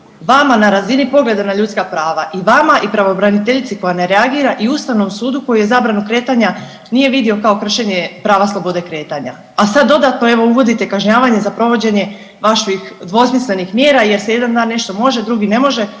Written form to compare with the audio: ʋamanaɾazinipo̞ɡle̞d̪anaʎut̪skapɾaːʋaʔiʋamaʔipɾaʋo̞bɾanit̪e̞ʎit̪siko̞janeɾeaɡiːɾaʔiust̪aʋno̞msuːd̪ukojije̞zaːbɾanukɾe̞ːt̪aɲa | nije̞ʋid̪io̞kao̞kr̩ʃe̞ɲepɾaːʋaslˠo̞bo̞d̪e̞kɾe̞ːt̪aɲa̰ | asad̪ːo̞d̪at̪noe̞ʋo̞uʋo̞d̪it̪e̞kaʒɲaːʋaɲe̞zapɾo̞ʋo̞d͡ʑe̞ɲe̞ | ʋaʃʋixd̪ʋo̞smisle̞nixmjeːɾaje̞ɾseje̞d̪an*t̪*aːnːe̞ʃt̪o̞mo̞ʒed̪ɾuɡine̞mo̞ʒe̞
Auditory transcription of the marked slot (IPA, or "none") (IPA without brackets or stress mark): d̪